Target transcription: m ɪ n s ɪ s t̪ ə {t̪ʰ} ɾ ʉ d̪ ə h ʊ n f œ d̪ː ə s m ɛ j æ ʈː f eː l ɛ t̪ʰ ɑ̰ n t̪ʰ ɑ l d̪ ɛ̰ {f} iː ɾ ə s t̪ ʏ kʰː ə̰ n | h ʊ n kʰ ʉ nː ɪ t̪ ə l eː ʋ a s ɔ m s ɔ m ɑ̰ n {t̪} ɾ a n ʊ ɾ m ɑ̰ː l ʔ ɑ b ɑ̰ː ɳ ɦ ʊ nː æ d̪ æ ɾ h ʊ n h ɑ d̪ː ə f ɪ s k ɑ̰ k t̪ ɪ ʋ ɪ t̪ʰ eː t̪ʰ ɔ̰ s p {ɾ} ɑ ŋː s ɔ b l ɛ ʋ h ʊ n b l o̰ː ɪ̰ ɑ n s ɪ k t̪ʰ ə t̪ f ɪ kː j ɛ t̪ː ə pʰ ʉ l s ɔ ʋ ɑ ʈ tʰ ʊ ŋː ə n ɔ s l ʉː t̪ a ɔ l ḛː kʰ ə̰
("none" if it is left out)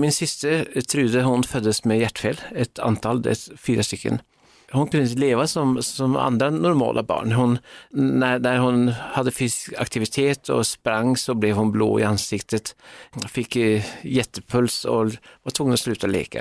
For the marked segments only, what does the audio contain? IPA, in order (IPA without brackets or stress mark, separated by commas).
t̪ʰ, f, d̪, ɾ